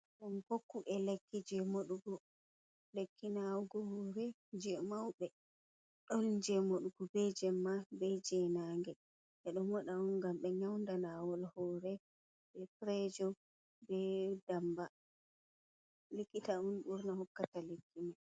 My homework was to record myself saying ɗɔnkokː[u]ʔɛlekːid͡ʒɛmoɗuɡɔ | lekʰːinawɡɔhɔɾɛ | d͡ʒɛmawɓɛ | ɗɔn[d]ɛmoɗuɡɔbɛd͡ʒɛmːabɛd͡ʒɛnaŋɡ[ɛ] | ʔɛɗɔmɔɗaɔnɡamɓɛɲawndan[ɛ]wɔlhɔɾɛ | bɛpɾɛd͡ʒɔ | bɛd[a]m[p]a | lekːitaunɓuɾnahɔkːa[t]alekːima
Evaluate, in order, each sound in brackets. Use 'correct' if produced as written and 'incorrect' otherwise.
correct, incorrect, correct, incorrect, correct, incorrect, correct

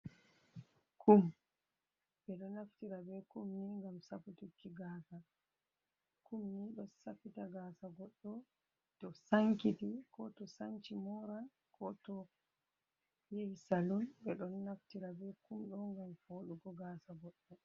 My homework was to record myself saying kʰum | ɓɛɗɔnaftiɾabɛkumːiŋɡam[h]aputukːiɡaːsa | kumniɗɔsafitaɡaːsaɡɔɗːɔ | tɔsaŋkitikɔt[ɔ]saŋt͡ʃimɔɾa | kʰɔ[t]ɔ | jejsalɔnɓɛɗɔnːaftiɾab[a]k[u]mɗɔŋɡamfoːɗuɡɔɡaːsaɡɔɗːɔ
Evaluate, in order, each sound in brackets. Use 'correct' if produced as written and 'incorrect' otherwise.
incorrect, correct, correct, incorrect, correct

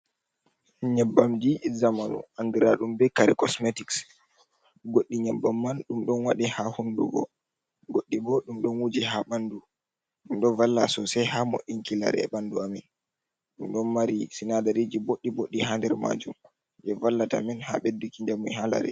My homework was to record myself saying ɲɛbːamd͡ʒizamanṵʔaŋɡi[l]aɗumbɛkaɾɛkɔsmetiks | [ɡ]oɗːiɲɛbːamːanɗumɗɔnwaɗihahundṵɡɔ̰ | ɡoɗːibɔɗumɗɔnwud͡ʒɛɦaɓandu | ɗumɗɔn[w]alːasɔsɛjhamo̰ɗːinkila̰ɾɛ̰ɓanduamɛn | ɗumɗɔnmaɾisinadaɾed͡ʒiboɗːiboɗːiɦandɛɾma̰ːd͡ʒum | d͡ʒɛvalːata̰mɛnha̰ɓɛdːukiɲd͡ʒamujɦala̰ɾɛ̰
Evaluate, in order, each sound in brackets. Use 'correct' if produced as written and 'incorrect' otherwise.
incorrect, correct, incorrect

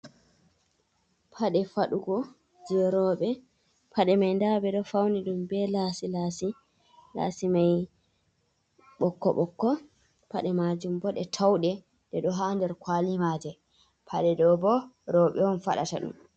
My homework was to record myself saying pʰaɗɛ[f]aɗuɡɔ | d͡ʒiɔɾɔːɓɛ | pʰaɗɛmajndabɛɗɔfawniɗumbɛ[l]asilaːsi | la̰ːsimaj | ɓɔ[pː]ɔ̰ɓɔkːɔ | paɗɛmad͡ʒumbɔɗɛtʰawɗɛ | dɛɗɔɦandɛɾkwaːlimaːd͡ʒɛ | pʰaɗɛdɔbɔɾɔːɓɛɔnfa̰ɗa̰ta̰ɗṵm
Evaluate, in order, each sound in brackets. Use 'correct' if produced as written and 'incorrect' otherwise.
correct, correct, incorrect

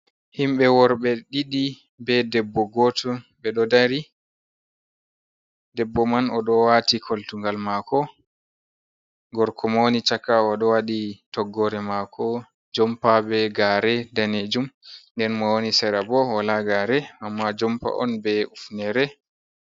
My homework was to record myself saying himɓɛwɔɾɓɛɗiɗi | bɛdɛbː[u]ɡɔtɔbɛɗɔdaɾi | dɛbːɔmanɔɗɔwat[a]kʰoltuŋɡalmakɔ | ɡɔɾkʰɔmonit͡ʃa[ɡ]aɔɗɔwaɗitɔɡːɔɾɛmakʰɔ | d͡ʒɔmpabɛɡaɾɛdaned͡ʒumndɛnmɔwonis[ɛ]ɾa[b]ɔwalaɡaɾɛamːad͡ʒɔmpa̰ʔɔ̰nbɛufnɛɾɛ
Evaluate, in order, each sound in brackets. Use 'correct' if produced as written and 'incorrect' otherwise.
incorrect, incorrect, incorrect, correct, correct

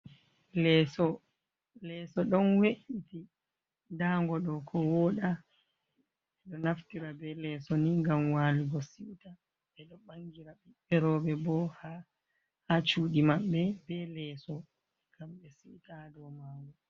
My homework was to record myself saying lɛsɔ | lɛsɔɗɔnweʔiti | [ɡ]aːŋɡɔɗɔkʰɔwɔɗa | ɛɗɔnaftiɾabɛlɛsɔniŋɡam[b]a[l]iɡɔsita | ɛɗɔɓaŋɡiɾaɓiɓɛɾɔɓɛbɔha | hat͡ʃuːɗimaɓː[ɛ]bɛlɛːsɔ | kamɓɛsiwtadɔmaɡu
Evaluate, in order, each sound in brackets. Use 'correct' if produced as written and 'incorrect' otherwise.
incorrect, incorrect, correct, correct

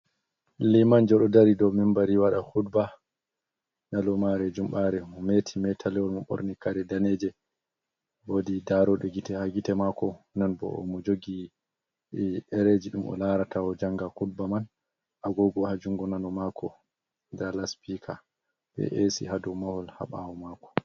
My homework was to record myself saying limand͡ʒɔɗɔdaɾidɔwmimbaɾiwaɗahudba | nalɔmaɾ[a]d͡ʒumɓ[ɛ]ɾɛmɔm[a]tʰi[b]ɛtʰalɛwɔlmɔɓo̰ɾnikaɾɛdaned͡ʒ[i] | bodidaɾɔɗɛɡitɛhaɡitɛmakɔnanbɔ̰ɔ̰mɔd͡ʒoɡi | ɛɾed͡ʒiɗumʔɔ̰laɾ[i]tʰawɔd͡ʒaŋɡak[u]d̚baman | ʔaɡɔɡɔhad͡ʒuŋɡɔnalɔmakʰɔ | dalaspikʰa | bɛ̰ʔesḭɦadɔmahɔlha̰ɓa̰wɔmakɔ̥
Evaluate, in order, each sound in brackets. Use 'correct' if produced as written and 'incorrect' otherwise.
incorrect, incorrect, incorrect, incorrect, incorrect, incorrect, correct

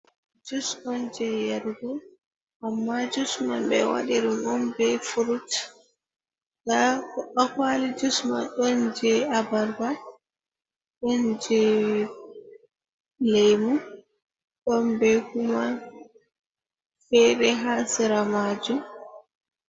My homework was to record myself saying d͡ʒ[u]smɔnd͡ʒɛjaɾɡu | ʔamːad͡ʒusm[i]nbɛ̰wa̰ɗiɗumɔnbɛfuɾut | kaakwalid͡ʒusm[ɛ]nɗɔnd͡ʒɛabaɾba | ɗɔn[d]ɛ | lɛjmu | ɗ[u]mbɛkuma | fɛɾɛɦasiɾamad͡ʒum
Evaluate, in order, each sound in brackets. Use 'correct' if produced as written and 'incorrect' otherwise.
correct, incorrect, incorrect, incorrect, incorrect

